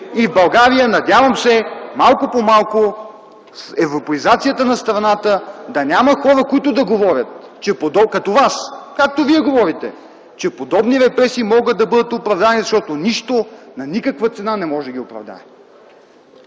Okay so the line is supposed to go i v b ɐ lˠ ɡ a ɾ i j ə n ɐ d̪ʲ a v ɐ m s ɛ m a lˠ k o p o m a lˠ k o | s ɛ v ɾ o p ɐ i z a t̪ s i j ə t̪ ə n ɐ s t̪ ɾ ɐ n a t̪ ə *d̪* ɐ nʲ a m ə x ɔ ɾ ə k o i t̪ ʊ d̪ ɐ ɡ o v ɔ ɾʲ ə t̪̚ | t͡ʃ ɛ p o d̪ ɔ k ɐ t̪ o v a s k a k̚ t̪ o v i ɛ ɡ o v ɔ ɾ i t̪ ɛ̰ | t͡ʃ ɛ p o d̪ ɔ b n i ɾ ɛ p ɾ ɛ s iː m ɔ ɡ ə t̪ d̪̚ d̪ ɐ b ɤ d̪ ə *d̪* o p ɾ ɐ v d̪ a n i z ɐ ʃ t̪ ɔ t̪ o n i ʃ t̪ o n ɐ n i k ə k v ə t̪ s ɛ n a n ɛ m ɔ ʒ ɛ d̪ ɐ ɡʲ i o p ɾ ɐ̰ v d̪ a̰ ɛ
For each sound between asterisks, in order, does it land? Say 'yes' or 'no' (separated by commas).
yes, no